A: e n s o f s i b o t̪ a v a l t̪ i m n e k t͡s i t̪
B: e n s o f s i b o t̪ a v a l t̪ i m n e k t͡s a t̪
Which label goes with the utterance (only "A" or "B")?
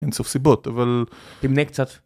B